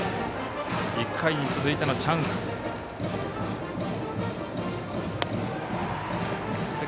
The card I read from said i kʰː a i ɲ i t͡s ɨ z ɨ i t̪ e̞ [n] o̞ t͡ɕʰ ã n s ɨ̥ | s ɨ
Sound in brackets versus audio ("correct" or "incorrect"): correct